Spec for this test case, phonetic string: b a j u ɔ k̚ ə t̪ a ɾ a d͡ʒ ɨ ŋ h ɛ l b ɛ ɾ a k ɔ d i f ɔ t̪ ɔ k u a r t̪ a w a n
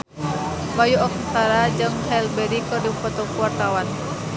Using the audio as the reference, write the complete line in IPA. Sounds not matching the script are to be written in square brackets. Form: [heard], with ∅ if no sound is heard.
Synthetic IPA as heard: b a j u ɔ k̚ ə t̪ a ɾ a d͡ʒ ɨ ŋ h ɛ l b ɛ ɾ [i] k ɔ d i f ɔ t̪ ɔ k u a r t̪ a w a n